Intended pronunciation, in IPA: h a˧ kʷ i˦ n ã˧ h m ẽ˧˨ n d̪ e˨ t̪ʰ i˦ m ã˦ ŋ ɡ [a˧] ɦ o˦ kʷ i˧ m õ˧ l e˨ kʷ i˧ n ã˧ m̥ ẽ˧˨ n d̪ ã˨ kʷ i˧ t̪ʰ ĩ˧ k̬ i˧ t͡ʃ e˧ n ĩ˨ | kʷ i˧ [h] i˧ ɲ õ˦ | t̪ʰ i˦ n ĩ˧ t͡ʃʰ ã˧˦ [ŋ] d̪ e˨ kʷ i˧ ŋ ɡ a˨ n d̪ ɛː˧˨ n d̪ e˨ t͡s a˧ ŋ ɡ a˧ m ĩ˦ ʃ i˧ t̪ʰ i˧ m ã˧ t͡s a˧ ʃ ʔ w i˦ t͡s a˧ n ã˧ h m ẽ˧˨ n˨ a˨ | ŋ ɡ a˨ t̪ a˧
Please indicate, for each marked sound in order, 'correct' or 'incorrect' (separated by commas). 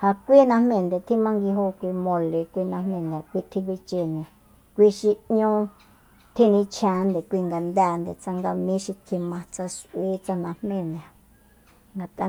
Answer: incorrect, incorrect, incorrect